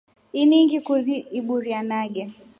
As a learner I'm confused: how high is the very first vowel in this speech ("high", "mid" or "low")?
high